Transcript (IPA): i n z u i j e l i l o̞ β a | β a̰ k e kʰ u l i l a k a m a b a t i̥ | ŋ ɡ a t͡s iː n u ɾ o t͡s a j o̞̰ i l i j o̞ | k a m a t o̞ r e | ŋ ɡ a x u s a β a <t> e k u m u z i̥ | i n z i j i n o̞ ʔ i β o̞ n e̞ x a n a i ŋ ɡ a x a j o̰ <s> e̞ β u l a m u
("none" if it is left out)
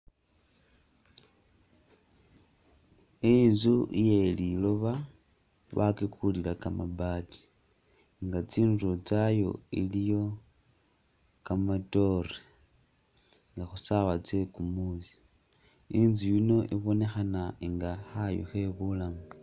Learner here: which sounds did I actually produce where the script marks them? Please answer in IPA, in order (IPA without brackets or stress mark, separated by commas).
t͡s, x